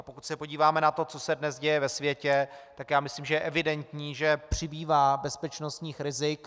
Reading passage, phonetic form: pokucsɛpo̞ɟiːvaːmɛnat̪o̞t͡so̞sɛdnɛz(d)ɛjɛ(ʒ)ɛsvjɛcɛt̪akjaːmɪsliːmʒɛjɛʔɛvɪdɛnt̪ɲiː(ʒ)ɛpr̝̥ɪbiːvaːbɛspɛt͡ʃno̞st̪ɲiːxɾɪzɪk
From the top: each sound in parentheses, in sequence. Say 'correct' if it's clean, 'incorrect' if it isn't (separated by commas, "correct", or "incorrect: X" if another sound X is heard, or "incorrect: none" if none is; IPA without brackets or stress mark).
incorrect: ɟ, incorrect: v, correct